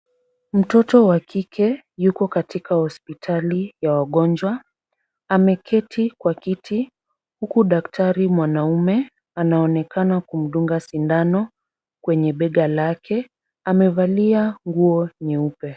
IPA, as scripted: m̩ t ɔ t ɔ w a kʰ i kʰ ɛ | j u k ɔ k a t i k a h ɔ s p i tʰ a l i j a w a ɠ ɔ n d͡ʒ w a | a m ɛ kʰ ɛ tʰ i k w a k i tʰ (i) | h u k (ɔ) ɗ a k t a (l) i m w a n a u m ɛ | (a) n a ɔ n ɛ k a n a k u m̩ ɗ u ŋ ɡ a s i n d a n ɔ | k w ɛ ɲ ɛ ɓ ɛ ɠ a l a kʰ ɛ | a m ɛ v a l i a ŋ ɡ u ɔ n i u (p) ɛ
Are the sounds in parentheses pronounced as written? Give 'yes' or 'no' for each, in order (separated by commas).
yes, no, no, yes, yes